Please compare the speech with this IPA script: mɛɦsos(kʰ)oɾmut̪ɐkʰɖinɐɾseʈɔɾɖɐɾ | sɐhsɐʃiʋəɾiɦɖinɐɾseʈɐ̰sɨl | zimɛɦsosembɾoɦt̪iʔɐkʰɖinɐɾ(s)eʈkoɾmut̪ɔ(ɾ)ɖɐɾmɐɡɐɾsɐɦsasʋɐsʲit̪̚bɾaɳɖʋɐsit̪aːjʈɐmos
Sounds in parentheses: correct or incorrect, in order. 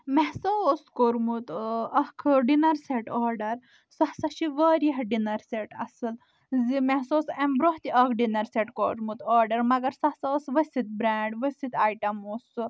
incorrect: k, correct, correct

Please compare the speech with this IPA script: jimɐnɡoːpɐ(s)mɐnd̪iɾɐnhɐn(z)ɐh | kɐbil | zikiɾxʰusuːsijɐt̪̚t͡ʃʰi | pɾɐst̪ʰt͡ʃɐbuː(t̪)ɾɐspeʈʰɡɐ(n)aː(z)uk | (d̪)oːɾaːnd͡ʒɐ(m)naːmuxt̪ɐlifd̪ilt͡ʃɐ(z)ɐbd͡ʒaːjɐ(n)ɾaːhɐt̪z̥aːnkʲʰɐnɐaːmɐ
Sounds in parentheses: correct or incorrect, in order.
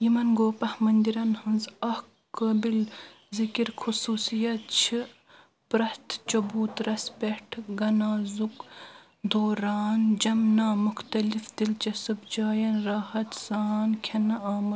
incorrect: h, correct, correct, correct, correct, correct, correct, incorrect: s, correct

